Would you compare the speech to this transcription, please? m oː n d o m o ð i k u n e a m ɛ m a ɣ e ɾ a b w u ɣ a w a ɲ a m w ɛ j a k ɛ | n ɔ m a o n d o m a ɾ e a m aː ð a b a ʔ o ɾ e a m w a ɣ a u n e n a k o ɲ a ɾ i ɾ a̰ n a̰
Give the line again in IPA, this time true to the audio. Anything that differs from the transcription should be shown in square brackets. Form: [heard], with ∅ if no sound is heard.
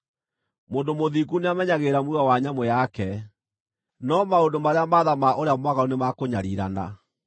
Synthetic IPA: m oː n d o m o ð i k u n e a m ɛ [ɲ] a ɣ e ɾ a [m] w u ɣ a w a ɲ a m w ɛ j a k ɛ | n ɔ m a o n d o m a ɾ e a m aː ð a [m] a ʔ o ɾ e a m w a ɣ a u n e [m] a k o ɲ a ɾ i ɾ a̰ n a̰